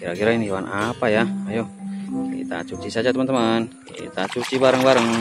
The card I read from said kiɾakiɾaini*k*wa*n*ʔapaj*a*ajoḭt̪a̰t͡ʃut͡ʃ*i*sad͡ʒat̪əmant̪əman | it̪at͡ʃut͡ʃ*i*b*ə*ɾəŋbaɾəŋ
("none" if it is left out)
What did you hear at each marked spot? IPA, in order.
none, n, a, i, i, a

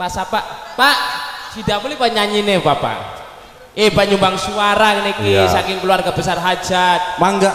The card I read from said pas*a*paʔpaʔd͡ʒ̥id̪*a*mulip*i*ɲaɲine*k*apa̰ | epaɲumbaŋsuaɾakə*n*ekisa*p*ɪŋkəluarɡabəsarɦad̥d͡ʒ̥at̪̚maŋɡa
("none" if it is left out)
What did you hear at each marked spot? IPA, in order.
a, a, a, p, n, k

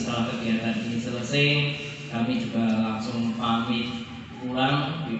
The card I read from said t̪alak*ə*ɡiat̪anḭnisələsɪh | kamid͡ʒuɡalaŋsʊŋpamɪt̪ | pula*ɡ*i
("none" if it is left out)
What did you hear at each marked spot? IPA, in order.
ə, ŋ

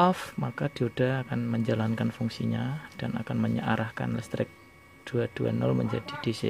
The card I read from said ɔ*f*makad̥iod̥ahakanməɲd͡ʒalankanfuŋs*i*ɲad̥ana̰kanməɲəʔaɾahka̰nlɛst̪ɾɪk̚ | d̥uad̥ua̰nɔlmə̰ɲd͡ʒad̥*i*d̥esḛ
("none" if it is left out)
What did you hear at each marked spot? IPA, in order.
f, i, i

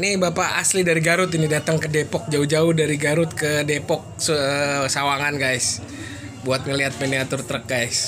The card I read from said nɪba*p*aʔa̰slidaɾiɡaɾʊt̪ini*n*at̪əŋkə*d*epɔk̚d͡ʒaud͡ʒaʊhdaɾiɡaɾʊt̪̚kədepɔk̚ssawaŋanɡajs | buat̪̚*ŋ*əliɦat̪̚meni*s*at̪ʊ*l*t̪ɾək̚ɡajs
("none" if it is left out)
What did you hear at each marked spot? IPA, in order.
p, d, d, ŋ, none, r

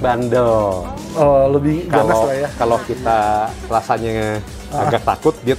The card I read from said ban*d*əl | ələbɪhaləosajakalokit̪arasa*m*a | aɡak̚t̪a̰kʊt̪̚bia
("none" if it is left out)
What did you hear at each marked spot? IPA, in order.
d, ɲ

